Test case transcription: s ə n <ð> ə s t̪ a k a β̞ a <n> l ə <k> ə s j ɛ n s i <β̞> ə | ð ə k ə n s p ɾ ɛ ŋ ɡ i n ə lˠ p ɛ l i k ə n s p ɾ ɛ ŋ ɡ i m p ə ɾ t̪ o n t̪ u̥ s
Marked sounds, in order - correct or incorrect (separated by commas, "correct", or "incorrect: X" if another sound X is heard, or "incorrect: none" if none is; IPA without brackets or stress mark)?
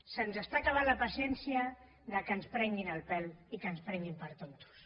incorrect: z, correct, incorrect: p, incorrect: none